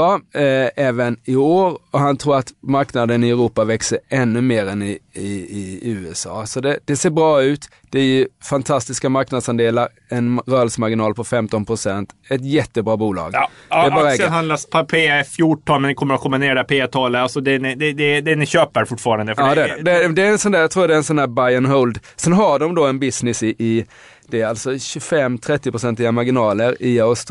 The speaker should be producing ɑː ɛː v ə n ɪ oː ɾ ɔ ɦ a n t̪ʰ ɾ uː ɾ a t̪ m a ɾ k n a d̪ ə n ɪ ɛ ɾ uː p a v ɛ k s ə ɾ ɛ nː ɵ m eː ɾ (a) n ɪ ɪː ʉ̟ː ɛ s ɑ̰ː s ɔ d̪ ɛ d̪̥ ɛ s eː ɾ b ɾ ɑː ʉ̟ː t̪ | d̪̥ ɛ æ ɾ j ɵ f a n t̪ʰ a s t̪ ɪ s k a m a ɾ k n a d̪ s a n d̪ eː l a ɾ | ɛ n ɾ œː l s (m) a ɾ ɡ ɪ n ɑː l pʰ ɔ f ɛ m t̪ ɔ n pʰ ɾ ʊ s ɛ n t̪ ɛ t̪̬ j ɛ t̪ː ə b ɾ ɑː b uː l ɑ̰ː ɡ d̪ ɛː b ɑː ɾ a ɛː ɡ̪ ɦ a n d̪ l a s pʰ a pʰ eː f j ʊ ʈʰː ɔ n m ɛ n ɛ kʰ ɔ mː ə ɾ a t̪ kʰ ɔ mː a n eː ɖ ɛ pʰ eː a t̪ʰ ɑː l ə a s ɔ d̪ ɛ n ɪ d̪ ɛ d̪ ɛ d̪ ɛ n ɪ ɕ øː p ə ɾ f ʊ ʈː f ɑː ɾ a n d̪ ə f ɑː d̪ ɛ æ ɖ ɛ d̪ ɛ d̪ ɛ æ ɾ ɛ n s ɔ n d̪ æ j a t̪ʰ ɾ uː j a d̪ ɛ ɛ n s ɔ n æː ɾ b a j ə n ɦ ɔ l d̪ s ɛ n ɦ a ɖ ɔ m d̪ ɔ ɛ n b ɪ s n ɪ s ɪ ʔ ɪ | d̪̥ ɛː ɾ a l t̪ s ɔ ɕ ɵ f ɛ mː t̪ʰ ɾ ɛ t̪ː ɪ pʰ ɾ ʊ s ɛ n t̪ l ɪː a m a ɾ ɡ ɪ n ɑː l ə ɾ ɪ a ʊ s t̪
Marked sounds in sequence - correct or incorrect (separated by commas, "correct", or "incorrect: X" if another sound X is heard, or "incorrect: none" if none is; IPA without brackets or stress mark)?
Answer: incorrect: ɛ, correct